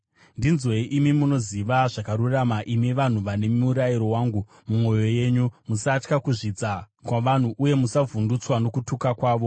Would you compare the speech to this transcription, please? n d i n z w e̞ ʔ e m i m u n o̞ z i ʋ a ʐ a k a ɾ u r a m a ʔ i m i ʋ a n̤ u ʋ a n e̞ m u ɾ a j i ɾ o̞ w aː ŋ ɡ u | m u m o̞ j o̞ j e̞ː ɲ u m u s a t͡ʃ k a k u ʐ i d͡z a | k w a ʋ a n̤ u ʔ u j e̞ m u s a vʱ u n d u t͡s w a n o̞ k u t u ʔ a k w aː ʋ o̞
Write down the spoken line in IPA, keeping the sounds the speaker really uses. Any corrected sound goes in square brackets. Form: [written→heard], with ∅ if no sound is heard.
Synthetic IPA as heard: n d i n z w e̞ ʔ [e→i] m i m u n o̞ z i ʋ a ʐ a k a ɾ u r a m a ʔ i m i ʋ a n̤ u ʋ a n e̞ m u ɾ a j i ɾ o̞ w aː ŋ ɡ u | m u m o̞ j o̞ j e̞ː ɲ u m u s a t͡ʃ k a k u ʐ i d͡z a | k w a ʋ a n̤ u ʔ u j e̞ m u s a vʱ u n d u t͡s w a n o̞ k u t u [ʔ→k] a k w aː ʋ o̞